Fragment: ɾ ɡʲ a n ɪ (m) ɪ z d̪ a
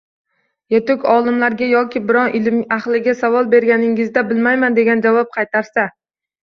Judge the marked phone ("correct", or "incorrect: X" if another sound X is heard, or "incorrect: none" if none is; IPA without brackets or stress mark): incorrect: ŋ